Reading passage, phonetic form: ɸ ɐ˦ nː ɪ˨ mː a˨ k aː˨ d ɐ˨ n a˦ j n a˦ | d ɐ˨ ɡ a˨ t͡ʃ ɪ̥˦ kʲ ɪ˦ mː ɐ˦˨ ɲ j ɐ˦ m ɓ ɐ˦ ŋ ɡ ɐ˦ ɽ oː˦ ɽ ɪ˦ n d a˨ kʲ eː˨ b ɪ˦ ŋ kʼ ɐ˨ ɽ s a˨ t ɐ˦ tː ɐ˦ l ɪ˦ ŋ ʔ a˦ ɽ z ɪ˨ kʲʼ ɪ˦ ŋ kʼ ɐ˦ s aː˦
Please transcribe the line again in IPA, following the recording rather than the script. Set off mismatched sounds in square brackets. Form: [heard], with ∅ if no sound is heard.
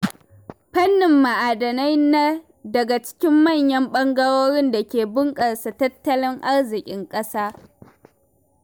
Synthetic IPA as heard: ɸ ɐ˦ nː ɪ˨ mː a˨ [ʔ] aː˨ d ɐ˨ n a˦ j n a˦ | d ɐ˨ ɡ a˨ t͡ʃ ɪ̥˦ kʲ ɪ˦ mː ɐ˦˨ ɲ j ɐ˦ m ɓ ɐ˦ ŋ ɡ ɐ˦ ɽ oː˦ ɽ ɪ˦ n d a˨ kʲ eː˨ b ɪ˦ ŋ kʼ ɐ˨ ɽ s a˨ t ɐ˦ tː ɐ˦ l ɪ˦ ŋ ʔ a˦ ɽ z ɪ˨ kʲʼ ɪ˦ ŋ kʼ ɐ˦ s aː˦